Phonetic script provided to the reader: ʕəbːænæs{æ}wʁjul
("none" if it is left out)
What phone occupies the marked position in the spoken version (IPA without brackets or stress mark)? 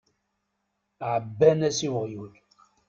i